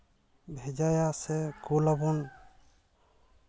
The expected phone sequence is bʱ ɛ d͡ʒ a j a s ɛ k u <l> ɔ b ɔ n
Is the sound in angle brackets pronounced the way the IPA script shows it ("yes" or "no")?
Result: yes